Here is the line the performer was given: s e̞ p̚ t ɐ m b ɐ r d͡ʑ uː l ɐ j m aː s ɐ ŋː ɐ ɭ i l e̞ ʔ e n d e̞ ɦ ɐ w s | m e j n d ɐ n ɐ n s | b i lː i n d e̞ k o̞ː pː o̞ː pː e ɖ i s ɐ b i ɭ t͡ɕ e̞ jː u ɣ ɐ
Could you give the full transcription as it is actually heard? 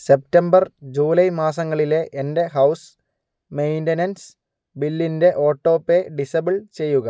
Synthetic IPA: s e̞ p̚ t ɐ m b ɐ r d͡ʑ uː l ɐ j m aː s ɐ ŋː ɐ ɭ i l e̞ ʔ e n d e̞ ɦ ɐ w s | m e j n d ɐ n ɐ n s | b i lː i n d e̞ ʔ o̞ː ʈː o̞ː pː e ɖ i s ɐ b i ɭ t͡ɕ e̞ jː u ɣ ɐ